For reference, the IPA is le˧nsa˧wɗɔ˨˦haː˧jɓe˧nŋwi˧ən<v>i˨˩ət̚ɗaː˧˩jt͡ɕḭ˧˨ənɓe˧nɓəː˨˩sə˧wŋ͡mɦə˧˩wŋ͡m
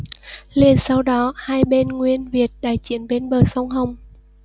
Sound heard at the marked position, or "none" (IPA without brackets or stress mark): v